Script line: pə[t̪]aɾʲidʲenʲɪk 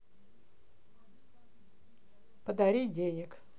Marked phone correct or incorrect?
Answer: incorrect